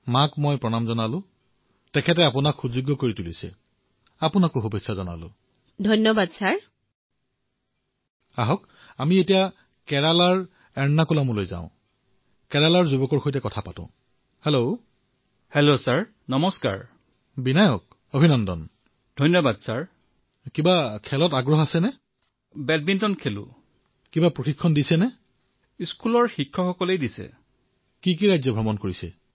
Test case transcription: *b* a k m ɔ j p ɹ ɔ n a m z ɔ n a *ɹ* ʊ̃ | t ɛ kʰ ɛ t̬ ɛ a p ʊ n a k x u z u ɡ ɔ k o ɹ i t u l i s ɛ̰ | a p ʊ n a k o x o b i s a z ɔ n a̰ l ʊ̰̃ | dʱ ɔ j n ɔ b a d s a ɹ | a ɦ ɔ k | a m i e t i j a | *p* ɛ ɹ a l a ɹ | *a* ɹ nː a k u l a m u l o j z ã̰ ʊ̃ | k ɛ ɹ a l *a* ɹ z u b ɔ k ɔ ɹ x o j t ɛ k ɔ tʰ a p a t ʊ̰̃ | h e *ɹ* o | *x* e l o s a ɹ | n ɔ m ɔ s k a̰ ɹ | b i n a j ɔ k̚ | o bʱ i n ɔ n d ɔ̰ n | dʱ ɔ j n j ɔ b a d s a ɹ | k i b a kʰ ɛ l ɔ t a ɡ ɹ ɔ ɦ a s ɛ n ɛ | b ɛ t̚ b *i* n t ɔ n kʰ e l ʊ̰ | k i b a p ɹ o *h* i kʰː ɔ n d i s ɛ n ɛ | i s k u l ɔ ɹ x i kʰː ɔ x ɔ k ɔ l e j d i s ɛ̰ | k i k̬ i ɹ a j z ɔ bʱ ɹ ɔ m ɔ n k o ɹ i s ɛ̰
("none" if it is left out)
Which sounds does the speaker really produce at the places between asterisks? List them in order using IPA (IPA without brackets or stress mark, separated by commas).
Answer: m, l, k, ɛ, a, l, h, i, x